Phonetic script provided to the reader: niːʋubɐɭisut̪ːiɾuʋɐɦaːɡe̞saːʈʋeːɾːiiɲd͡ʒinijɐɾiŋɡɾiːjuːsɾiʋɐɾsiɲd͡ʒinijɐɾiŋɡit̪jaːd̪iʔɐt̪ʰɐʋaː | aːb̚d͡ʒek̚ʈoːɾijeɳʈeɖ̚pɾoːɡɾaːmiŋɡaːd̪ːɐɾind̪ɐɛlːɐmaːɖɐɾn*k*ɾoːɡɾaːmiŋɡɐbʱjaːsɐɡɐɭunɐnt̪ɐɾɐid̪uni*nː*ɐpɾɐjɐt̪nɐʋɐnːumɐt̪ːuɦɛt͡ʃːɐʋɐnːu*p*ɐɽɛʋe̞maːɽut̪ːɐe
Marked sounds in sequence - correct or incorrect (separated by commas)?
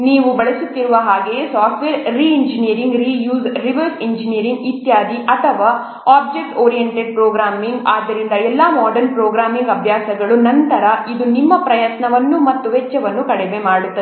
incorrect, incorrect, incorrect